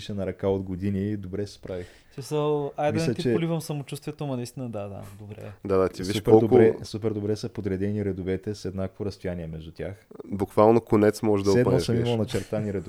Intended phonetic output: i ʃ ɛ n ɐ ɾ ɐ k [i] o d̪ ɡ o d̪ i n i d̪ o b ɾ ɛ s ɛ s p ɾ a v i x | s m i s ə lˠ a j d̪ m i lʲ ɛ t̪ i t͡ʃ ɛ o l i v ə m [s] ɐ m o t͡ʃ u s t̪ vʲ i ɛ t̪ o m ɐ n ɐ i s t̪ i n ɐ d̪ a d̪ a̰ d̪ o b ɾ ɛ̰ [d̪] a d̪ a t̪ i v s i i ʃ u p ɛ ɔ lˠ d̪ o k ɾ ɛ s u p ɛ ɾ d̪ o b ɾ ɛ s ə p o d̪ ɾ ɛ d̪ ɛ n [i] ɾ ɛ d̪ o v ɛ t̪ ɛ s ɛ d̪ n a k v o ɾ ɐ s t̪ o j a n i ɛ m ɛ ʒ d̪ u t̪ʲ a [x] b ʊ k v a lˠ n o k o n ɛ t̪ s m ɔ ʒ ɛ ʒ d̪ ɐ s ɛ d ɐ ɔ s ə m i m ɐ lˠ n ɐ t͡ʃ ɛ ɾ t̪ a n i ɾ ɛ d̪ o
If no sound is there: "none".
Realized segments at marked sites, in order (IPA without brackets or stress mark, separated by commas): a, s, d̪, i, x